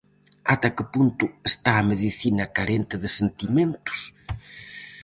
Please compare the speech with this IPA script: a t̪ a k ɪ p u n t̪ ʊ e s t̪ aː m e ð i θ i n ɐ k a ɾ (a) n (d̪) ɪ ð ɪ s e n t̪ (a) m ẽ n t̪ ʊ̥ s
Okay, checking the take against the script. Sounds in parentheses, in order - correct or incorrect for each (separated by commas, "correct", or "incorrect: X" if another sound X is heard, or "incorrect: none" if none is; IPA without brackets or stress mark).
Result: incorrect: e, incorrect: t̪, incorrect: i